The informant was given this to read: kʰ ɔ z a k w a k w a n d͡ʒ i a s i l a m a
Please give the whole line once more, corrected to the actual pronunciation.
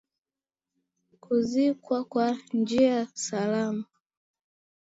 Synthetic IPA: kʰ u z i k w a k w a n d͡ʒ i a s a l a m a